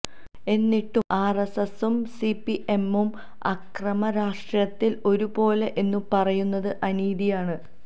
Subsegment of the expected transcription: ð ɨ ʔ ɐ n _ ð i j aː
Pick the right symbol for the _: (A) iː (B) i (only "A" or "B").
A